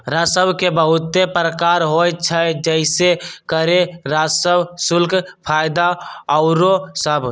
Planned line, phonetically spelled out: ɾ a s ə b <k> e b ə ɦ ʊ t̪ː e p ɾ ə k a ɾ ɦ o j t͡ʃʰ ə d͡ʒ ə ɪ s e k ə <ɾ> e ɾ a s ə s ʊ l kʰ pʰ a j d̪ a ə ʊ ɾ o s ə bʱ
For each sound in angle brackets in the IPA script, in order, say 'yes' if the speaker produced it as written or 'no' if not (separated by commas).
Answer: yes, yes